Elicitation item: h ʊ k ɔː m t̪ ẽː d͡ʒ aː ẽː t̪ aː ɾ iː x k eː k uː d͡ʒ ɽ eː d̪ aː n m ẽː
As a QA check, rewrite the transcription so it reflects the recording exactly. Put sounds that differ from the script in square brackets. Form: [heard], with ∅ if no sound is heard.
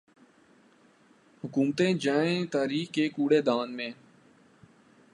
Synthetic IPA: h ʊ k [uː] m t̪ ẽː d͡ʒ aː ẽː t̪ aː ɾ iː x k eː k uː [∅] ɽ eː d̪ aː n m ẽː